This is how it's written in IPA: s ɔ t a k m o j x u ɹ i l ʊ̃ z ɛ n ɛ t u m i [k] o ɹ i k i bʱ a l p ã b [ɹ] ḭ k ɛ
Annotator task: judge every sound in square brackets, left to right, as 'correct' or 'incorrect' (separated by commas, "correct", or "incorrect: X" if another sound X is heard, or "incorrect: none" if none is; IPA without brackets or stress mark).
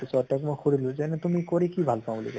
correct, incorrect: l